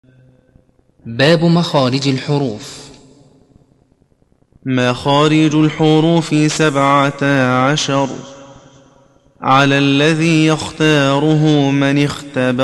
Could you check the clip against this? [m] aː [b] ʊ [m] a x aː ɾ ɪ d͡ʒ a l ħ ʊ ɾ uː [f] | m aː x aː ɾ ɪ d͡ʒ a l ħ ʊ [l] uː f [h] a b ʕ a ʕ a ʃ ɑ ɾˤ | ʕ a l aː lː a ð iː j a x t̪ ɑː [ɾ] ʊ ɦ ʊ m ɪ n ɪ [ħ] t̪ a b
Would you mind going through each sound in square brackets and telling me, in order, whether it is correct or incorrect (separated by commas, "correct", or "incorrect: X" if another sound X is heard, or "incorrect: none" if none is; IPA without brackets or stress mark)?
incorrect: b, correct, correct, correct, incorrect: ɾ, incorrect: s, correct, incorrect: x